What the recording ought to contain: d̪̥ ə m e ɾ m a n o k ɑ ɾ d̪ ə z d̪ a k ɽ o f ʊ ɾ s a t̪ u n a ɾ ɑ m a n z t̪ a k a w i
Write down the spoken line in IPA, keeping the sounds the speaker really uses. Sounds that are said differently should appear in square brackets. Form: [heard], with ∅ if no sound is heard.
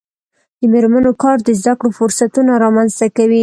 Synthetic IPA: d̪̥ ə m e ɾ m a n o k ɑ ɾ d̪ ə z d̪ a k ɽ o f ʊ ɾ s a t̪ u n a ɾ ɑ m a n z t̪ a k a w i